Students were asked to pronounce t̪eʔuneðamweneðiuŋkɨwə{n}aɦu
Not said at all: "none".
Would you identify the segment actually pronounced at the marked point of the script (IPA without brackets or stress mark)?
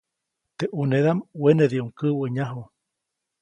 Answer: ɲ